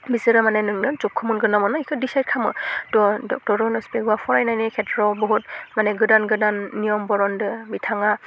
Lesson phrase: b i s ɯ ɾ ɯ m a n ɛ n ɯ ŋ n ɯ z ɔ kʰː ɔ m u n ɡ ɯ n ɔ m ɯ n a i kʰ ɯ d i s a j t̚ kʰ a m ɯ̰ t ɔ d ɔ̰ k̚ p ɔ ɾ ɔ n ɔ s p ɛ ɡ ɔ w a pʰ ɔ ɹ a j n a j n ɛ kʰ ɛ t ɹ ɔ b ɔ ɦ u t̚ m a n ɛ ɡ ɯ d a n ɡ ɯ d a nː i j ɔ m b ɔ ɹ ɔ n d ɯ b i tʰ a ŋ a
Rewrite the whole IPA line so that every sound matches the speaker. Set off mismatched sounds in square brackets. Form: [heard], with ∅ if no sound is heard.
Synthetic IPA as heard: b i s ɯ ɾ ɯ m a n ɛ n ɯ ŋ n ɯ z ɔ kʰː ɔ m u n ɡ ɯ n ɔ m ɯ n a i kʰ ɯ d i s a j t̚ kʰ a m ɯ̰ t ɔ d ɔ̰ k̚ [t] ɔ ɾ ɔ n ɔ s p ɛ ɡ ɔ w a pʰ ɔ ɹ a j n a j n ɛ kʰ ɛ t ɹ ɔ b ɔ ɦ u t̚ m a n ɛ ɡ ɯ d a n ɡ ɯ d a nː i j ɔ m b ɔ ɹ ɔ n d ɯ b i tʰ a ŋ a